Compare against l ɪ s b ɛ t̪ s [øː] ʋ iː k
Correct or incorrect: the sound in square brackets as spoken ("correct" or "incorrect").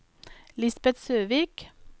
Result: correct